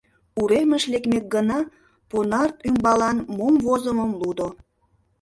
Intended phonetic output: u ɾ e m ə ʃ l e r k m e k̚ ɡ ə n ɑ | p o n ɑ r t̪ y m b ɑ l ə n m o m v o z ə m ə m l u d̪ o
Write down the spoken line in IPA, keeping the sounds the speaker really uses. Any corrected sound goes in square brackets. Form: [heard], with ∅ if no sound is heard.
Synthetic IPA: u ɾ e m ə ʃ l e [∅] k m e k̚ ɡ ə n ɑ | p o n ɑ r t̪ y m b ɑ l [ɑ] n m o m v o z ə m ə m l u d̪ o